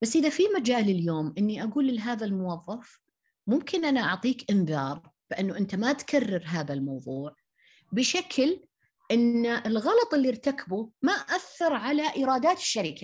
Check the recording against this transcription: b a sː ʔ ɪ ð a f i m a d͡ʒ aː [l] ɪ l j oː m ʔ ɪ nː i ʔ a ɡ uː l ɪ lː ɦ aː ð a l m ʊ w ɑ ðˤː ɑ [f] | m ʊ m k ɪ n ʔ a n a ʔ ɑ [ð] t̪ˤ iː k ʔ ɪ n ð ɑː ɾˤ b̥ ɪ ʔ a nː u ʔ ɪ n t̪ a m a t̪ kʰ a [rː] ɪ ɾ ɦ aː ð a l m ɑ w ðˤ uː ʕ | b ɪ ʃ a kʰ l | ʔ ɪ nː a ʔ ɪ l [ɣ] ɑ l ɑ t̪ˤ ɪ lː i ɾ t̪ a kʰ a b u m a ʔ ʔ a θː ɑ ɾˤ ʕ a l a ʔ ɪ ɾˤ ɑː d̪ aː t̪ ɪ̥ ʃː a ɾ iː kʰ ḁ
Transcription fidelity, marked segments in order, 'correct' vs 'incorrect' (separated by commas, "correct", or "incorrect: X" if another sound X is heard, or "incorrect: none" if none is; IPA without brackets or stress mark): correct, correct, incorrect: ʕ, correct, correct